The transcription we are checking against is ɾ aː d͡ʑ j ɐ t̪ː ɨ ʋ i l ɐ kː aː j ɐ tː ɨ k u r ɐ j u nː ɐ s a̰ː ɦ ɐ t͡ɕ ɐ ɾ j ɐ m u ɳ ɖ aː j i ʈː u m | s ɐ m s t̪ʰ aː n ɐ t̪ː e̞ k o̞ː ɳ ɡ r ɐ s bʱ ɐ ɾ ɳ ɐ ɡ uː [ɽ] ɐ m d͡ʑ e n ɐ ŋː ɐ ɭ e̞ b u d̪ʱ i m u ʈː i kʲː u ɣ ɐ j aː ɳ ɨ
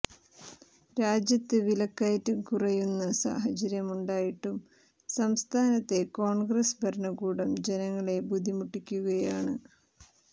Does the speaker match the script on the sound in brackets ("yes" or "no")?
yes